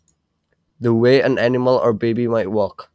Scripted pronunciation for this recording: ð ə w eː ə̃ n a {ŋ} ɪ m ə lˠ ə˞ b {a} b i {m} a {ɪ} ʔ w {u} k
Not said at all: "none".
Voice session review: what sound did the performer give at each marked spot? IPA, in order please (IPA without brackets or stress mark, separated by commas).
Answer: n, e, m, ɪ, ɔ